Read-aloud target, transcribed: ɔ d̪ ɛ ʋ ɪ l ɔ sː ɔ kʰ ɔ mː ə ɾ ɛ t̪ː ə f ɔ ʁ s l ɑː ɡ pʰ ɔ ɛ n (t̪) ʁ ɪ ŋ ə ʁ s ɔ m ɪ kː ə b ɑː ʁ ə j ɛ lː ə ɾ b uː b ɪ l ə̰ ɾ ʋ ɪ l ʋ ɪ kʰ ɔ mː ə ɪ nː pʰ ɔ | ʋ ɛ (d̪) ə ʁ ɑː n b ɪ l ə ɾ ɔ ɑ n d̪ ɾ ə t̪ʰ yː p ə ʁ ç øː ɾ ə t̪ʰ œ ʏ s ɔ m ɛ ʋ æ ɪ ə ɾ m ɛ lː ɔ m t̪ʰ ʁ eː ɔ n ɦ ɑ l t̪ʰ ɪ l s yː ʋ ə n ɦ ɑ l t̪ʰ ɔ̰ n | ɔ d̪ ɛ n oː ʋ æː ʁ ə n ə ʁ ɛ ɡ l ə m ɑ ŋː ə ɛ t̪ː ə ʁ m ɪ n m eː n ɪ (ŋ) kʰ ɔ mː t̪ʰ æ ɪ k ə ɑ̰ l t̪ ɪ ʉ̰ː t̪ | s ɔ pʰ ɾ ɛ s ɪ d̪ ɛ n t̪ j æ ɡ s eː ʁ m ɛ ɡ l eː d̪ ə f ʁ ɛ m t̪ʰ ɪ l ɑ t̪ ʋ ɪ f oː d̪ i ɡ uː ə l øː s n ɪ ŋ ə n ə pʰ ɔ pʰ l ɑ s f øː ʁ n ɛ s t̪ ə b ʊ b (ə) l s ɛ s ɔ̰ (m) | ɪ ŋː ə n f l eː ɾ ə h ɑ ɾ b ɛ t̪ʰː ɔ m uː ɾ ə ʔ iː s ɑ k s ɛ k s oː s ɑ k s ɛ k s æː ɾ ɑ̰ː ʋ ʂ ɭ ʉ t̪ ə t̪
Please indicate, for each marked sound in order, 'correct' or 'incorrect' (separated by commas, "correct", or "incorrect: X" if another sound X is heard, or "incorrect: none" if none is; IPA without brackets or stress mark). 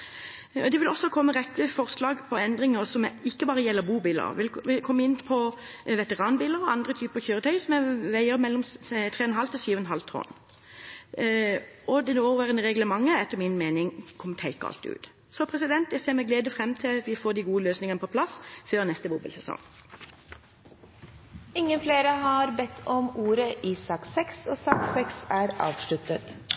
incorrect: d̪, incorrect: t̪, correct, correct, incorrect: ŋ